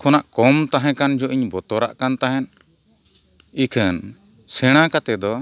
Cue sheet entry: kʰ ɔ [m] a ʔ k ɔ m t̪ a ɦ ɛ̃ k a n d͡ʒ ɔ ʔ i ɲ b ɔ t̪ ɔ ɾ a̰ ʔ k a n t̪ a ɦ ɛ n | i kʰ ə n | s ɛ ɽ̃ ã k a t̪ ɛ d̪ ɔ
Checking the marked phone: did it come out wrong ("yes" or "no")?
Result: yes